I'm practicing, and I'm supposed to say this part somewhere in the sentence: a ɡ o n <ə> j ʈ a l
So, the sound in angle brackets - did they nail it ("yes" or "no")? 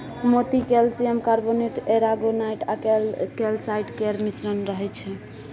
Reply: no